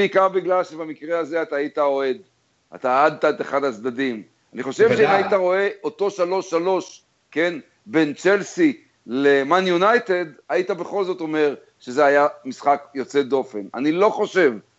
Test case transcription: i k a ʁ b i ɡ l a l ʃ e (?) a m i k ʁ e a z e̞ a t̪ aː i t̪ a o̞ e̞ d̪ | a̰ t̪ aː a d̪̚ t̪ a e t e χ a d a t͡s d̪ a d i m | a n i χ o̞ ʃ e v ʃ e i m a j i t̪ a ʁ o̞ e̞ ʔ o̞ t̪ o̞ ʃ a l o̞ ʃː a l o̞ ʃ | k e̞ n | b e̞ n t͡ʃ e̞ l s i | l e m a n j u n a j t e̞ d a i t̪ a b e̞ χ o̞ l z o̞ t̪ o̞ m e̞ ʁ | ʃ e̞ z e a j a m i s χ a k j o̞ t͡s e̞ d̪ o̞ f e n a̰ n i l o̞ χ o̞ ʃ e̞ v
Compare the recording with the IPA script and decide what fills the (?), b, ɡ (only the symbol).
b